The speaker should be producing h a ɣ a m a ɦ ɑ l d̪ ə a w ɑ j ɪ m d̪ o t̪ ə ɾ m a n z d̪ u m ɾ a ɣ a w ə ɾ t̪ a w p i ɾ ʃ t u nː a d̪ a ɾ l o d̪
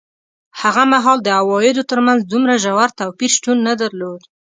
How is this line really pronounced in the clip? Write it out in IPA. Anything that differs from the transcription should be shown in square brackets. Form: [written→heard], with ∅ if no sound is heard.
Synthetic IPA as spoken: h a ɣ a m a ɦ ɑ l d̪ ə a w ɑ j ɪ [m→∅] d̪ o t̪ ə ɾ m a n z d̪ u m ɾ a [ɣ→ʒ] a w [ə→a] ɾ t̪ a w p i ɾ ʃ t u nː a d̪ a ɾ l o d̪